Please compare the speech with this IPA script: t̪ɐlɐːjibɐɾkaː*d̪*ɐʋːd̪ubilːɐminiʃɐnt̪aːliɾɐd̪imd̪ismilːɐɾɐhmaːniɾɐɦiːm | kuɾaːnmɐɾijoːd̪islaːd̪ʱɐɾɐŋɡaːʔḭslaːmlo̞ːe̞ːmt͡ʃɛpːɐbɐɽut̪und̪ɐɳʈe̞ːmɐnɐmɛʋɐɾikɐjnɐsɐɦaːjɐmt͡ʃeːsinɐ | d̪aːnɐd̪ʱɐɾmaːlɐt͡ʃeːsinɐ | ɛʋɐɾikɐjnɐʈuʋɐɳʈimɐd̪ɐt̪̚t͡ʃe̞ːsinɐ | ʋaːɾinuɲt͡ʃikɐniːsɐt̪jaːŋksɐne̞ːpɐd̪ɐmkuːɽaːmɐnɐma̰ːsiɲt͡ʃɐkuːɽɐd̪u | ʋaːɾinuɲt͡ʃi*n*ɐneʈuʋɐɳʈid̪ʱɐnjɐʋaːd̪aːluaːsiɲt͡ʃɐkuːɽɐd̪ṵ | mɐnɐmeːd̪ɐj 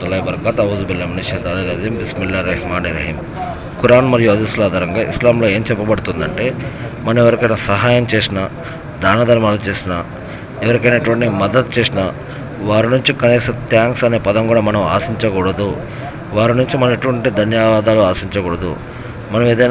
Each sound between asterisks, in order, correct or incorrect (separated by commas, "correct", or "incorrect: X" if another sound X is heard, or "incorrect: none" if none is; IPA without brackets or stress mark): incorrect: t̪, incorrect: m